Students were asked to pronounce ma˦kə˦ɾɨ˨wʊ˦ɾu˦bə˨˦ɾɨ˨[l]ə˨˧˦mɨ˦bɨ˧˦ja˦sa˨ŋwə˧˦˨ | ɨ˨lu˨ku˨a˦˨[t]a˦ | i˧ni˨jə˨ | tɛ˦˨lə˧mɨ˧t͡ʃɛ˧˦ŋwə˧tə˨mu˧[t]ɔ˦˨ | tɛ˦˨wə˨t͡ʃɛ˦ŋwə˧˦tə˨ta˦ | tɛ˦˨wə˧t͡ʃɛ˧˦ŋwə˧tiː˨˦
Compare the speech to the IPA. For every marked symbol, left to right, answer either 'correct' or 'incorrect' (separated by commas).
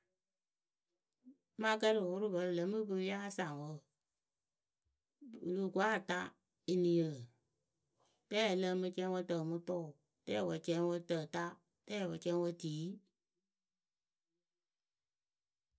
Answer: correct, correct, correct